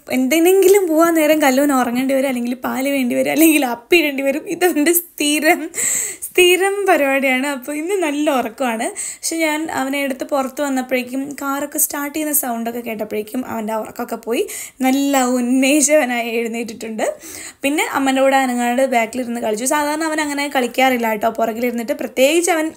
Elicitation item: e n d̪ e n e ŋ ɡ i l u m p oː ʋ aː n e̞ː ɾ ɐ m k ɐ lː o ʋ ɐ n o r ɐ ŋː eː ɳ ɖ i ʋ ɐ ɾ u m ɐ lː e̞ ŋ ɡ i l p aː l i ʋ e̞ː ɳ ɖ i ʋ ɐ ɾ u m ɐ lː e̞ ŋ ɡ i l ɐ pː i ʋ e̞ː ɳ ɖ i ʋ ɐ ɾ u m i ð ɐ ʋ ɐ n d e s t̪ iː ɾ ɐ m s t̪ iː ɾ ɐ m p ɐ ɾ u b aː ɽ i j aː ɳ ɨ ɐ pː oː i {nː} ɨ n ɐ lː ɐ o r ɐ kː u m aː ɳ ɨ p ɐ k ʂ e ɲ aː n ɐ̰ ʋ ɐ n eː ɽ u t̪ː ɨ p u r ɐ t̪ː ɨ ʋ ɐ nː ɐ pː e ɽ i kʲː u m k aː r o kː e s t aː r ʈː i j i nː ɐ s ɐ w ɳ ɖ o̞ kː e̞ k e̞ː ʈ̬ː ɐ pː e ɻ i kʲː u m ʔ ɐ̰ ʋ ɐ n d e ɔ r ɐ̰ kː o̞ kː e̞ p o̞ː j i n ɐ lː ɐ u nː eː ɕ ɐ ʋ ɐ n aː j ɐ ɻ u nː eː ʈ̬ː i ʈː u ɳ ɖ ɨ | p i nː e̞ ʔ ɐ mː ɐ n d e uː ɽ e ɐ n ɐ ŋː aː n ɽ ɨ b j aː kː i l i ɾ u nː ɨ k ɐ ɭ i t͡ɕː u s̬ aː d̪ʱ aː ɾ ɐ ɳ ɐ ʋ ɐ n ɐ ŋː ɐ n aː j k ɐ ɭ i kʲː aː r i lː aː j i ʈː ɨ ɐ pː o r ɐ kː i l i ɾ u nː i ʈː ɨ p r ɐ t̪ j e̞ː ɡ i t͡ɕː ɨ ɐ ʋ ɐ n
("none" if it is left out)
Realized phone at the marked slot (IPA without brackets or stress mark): nː